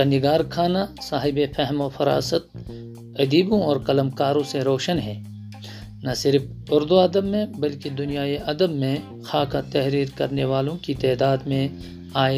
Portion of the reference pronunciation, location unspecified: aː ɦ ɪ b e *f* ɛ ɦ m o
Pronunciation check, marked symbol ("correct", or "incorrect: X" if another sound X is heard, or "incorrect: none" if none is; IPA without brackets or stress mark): correct